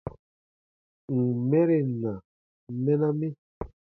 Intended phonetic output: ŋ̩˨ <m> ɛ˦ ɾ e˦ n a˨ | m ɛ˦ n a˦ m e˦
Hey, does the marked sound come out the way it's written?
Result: yes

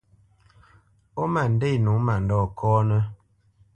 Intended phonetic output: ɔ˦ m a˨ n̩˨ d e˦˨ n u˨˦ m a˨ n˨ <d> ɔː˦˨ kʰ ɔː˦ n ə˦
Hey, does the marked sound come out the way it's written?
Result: yes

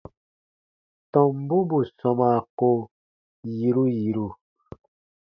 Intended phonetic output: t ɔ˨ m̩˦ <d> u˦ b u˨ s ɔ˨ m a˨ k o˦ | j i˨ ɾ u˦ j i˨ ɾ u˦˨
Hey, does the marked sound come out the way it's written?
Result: no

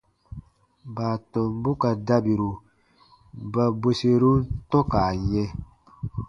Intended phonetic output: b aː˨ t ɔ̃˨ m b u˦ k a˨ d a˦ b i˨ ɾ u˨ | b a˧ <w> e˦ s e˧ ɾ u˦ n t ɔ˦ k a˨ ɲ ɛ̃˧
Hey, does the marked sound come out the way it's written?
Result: no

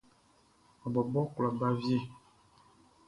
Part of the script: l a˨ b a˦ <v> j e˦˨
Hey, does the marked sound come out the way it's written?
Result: yes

